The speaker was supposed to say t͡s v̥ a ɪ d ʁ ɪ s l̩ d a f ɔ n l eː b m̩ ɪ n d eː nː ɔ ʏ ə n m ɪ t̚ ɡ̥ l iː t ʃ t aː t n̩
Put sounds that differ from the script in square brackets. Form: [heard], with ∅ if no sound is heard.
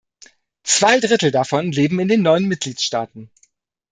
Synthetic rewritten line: t͡s v̥ a ɪ d ʁ ɪ [t] l̩ d a f ɔ n l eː b m̩ ɪ n d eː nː ɔ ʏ ə n m ɪ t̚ ɡ̥ l iː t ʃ t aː t n̩